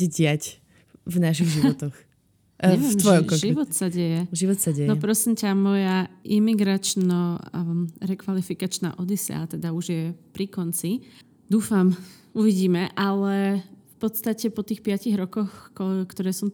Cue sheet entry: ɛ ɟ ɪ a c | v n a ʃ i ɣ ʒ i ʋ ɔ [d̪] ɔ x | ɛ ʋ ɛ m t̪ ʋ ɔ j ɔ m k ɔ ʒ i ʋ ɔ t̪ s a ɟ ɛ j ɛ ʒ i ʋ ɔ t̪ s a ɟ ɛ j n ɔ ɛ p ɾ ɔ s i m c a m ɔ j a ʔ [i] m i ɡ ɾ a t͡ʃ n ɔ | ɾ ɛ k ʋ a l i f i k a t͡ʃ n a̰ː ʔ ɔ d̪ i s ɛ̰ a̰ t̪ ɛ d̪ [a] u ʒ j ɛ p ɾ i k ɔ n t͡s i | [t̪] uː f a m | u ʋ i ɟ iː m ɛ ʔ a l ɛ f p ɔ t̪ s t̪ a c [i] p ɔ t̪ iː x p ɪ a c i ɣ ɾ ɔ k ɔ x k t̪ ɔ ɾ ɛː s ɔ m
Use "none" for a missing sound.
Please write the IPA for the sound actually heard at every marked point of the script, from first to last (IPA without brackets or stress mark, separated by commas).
t̪, i, a, d̪, ɛ